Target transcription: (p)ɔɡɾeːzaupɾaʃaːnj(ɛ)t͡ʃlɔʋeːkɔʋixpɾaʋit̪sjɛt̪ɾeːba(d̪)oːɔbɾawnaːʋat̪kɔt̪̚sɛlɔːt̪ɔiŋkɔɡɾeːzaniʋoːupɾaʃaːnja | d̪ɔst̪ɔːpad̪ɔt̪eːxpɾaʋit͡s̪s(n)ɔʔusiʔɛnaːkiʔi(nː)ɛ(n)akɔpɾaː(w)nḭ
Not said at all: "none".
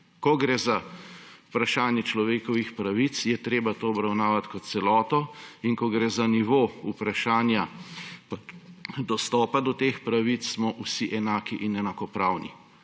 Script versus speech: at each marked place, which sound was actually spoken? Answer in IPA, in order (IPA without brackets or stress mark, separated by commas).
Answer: k, ɛ, t̪, m, n, n, w